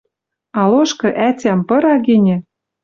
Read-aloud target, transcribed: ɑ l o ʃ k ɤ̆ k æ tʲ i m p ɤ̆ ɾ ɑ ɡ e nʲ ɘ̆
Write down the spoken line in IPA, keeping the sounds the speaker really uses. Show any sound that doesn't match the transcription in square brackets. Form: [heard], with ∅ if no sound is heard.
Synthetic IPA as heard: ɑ l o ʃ k ɤ̆ [ʔ] æ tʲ [æ] m p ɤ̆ ɾ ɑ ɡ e nʲ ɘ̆